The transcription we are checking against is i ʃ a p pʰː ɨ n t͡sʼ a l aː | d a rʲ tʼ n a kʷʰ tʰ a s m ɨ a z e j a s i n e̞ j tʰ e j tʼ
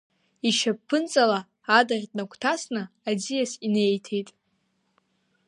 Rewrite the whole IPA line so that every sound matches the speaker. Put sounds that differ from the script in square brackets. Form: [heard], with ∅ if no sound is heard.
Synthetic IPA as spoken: i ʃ a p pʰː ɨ n t͡sʼ a l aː | d a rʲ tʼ n a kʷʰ tʰ a s [n] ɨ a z [i] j a s i n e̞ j tʰ e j tʼ